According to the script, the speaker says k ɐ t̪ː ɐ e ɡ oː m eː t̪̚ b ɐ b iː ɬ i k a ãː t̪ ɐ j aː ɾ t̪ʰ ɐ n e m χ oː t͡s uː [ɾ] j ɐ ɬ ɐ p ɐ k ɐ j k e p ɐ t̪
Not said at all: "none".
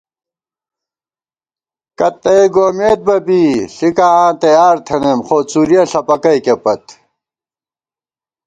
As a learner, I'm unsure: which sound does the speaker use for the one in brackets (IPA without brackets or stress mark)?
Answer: ɾ